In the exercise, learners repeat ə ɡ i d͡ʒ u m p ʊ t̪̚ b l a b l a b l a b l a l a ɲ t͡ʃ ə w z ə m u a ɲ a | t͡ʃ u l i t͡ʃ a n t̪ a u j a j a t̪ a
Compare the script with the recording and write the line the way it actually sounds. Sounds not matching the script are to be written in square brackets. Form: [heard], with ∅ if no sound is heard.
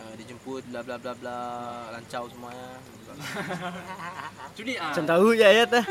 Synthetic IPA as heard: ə [d] i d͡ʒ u m p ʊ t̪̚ b l a b l a b l a b l a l a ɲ t͡ʃ [a] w [s] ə m u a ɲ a | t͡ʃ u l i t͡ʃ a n t̪ a u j a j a t̪ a